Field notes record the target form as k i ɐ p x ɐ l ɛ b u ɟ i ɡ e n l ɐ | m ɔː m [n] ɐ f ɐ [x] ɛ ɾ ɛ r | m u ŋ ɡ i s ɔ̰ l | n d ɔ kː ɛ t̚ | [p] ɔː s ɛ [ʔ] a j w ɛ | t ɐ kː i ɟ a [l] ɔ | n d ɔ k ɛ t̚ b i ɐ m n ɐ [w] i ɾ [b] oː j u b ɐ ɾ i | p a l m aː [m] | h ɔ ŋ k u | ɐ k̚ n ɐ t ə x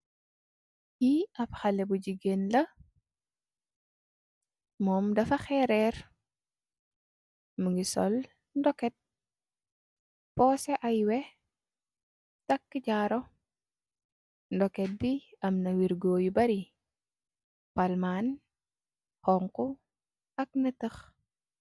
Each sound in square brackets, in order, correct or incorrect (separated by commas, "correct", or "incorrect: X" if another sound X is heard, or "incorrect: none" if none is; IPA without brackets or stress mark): incorrect: d, correct, correct, correct, incorrect: ɾ, correct, incorrect: ɡ, incorrect: n